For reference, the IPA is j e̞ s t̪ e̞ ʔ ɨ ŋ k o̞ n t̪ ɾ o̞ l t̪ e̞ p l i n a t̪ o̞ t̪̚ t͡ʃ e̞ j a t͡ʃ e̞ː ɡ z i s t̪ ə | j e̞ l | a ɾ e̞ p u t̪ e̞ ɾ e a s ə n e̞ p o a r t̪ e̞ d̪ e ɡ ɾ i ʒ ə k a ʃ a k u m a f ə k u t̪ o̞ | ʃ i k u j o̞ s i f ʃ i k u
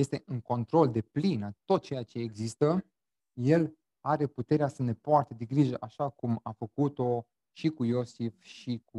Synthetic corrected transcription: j e̞ s t̪ e̞ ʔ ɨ ŋ k o̞ n t̪ ɾ o̞ l d̪ e̞ p l i n a t̪ o̞ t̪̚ t͡ʃ e̞ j a t͡ʃ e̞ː ɡ z i s t̪ ə | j e̞ l | a ɾ e̞ p u t̪ e̞ ɾ e a s ə n e̞ p o a r t̪ e̞ d̪ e ɡ ɾ i ʒ ə ʔ a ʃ a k u m a f ə k u t̪ o̞ | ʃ i k u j o̞ s i f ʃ i k u